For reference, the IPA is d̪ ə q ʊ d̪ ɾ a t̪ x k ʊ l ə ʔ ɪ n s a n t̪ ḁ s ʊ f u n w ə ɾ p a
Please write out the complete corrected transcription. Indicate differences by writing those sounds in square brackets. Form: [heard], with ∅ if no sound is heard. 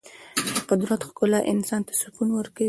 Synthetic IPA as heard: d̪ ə q ʊ d̪ ɾ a t̪ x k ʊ l [a] ʔ ɪ n s [ɑ] n t̪ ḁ s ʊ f u n w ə ɾ [k] a